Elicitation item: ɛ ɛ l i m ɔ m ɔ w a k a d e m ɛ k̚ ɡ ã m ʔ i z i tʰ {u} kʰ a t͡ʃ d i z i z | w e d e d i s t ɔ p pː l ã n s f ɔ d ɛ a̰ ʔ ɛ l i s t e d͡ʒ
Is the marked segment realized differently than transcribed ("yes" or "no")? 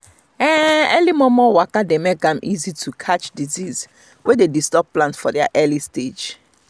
no